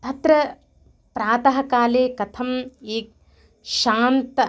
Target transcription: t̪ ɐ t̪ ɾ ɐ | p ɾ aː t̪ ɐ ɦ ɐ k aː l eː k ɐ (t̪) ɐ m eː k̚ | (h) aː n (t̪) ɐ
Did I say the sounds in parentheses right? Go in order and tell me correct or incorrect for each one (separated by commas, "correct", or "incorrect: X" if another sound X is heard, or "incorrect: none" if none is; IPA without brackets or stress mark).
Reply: incorrect: t̪ʰ, incorrect: ʃ, correct